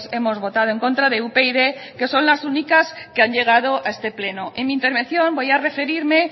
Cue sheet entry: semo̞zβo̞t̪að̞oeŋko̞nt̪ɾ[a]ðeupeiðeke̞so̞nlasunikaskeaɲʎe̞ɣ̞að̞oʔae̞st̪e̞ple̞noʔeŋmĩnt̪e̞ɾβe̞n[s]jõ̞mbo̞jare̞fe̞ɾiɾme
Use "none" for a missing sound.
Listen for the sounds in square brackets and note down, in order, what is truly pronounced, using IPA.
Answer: a, θ

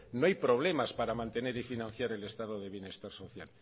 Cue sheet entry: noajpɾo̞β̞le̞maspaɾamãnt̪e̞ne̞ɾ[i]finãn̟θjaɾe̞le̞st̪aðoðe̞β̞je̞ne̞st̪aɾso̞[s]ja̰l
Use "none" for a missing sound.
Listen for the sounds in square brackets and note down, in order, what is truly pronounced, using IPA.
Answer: i, θ

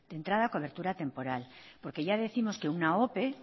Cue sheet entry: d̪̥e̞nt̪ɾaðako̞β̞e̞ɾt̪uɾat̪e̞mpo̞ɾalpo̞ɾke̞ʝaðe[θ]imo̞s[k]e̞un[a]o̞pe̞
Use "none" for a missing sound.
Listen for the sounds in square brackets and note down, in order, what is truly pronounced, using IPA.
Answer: θ, k, a

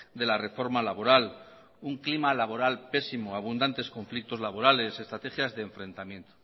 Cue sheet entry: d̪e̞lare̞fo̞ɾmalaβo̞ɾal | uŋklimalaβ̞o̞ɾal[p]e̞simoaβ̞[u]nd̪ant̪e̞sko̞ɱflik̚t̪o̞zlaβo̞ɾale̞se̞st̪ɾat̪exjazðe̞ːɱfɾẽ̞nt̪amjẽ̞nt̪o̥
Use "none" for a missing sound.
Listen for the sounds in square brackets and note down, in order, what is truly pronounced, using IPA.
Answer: p, u

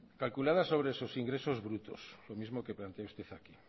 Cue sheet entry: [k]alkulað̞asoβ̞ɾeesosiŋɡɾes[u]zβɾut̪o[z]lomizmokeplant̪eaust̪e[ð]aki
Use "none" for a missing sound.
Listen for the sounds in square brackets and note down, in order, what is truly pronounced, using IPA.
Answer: k, o, s, θ

